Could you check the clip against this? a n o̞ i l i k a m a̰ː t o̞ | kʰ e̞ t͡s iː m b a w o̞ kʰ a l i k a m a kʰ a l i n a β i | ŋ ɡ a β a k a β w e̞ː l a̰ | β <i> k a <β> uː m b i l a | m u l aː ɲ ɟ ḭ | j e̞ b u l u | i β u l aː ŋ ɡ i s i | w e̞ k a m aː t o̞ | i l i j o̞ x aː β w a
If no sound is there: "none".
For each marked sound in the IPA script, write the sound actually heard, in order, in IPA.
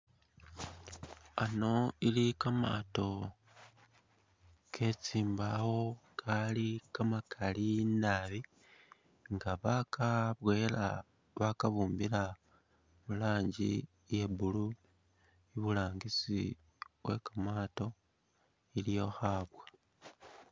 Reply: a, β

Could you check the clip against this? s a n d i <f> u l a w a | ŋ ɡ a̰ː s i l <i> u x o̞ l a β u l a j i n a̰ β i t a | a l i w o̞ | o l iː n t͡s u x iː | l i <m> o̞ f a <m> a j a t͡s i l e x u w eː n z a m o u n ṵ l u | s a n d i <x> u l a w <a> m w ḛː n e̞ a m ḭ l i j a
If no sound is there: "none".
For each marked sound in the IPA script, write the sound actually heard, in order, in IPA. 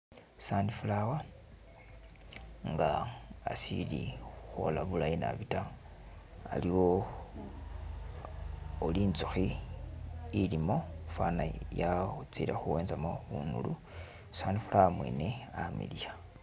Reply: f, i, m, n, f, a

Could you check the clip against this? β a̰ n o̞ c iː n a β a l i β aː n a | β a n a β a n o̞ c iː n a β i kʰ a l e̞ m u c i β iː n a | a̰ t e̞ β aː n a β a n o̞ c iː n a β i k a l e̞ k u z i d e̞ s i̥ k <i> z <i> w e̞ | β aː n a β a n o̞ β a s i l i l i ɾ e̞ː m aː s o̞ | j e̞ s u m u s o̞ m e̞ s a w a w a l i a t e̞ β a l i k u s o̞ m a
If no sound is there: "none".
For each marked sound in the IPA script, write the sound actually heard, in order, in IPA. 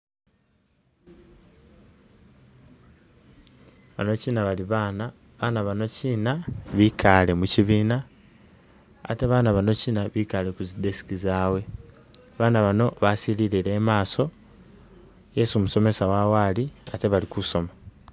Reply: i, a

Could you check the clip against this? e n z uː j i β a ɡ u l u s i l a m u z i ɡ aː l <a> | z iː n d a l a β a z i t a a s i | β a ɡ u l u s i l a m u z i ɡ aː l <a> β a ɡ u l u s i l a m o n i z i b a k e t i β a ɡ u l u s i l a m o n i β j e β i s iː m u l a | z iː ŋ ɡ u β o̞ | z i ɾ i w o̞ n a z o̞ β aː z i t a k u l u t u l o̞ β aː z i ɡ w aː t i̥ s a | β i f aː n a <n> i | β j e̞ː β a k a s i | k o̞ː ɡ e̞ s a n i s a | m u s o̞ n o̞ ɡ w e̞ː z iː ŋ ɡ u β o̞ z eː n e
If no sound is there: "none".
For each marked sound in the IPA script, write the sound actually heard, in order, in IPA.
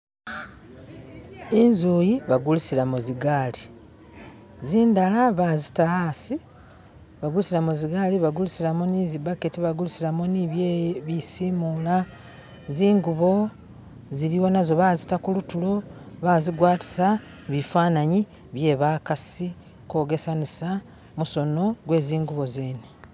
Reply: i, i, ɲ

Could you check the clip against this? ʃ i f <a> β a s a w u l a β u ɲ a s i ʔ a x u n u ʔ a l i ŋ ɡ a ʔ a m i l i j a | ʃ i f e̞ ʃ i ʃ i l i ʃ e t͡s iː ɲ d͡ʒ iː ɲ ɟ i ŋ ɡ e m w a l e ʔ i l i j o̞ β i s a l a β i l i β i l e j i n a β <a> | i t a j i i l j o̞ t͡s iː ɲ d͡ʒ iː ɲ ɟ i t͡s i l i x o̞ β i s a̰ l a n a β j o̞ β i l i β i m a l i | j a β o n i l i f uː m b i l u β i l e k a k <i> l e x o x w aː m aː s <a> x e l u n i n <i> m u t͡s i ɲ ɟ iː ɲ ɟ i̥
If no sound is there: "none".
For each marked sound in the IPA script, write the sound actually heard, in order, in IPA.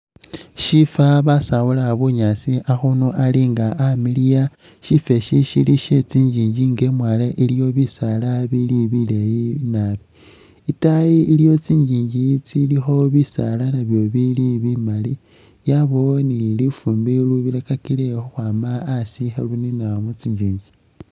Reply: a, i, i, i, a

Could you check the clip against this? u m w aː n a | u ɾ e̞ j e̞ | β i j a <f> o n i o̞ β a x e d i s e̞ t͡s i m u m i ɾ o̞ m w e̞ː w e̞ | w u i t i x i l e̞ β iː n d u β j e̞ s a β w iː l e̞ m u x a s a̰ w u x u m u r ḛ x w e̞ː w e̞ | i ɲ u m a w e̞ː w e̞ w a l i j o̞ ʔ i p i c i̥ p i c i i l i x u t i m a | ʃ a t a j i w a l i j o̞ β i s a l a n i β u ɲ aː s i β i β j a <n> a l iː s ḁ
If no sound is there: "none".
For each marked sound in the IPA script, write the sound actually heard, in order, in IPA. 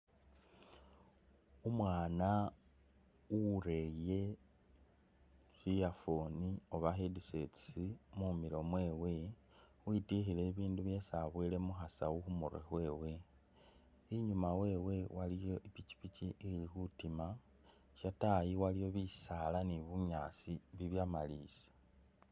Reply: f, m

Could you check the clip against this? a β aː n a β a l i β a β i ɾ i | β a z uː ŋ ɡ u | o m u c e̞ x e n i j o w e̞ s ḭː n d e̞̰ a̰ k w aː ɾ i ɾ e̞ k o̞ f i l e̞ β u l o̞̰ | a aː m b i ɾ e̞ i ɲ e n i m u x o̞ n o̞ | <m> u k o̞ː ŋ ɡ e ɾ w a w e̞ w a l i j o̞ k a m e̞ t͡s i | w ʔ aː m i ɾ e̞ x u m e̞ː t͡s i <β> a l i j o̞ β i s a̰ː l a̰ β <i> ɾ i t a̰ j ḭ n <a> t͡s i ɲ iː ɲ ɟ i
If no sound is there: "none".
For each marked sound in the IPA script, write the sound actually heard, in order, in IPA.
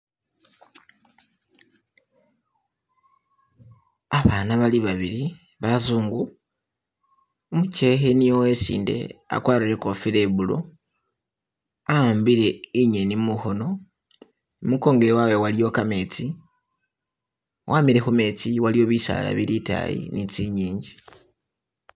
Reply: m, w, i, i

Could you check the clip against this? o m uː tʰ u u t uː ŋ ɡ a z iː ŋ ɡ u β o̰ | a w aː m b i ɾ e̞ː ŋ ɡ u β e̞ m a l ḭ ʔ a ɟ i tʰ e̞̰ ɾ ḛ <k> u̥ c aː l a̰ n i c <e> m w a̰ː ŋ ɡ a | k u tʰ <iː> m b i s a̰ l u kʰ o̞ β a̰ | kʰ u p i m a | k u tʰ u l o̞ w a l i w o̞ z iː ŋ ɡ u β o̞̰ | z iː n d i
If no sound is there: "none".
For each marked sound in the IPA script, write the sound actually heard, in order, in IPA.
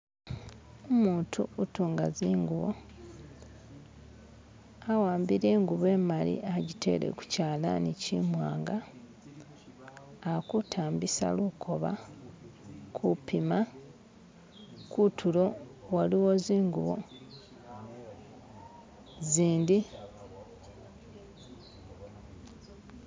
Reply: k, i, aː

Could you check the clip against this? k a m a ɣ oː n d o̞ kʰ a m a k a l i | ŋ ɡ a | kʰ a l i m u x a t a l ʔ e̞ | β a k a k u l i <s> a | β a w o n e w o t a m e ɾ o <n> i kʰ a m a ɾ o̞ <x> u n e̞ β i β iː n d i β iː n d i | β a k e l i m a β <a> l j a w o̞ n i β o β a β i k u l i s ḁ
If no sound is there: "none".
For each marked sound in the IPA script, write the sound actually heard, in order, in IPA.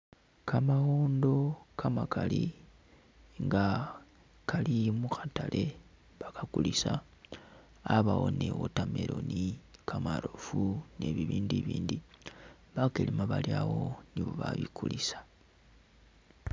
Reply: s, n, f, a

